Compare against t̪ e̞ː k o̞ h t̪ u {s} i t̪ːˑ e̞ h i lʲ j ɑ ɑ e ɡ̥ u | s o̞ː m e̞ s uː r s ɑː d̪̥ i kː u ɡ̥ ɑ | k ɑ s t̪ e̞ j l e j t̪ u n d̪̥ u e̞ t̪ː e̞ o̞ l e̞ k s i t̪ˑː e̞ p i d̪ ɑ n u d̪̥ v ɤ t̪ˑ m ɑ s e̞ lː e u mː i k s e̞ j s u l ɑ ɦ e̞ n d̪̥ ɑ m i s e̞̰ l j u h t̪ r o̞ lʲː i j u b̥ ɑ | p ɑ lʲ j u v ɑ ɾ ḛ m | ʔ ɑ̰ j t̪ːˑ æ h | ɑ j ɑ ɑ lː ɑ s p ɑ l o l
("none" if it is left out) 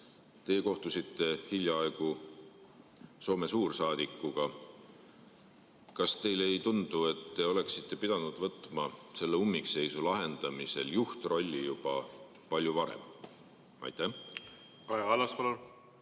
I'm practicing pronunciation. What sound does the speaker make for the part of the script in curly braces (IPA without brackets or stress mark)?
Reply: s